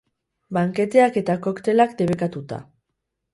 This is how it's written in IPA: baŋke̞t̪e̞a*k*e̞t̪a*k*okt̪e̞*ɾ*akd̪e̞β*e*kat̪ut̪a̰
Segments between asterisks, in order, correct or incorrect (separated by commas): correct, correct, incorrect, correct